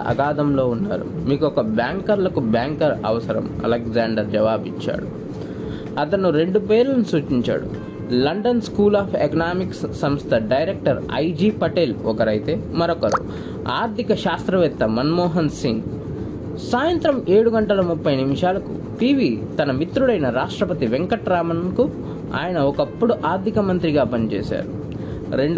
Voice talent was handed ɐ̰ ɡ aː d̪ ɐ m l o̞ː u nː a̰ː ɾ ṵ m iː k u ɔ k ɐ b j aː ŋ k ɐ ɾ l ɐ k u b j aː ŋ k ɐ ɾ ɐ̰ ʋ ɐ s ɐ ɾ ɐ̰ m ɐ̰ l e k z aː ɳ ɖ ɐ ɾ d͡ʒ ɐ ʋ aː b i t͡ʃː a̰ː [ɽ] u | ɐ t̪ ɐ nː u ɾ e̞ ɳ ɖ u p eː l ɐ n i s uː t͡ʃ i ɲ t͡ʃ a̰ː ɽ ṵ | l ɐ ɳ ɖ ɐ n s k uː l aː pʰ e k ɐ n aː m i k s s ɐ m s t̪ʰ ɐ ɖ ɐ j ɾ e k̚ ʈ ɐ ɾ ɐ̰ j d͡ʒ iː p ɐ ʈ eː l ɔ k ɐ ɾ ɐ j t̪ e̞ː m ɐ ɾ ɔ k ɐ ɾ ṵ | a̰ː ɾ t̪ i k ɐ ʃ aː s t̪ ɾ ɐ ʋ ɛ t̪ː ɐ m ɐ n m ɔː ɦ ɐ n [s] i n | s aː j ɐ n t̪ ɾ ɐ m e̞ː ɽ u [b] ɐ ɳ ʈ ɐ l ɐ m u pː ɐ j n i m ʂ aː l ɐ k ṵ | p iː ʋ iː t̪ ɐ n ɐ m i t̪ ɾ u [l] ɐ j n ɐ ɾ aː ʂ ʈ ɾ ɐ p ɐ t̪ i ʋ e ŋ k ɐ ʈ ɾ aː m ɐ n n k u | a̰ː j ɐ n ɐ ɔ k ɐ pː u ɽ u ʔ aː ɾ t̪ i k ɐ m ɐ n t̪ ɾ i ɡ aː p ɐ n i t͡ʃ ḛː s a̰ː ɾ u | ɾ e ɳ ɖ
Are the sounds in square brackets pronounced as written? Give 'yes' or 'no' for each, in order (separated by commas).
yes, yes, no, no